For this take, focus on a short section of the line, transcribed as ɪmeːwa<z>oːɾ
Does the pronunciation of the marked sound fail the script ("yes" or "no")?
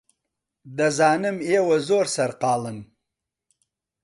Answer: no